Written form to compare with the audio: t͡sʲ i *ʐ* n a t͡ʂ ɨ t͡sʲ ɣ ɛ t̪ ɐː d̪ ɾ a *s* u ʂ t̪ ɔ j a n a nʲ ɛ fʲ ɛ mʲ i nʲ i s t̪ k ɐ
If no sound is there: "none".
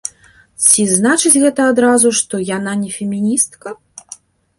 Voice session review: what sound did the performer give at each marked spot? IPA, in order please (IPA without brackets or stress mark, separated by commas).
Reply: z, z